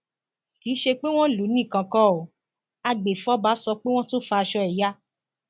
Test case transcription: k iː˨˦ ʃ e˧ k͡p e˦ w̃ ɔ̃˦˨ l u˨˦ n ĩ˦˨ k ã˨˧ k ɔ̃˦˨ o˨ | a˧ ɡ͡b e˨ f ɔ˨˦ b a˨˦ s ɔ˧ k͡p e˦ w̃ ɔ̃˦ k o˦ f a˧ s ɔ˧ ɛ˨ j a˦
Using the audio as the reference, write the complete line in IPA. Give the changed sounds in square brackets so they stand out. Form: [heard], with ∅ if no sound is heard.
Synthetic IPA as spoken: k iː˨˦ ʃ e˧ k͡p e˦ w̃ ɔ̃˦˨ l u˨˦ n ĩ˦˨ k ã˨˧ k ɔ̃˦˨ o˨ | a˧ ɡ͡b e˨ f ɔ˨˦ b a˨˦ s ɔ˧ k͡p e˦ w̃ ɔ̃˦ [t] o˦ f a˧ [ʃ] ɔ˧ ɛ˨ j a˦